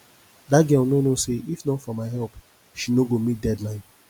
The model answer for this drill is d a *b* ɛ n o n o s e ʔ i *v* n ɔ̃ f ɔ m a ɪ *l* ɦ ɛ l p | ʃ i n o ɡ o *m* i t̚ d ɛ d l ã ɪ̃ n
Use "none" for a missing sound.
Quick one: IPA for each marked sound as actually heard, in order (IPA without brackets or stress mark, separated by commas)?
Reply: ɡ, f, none, m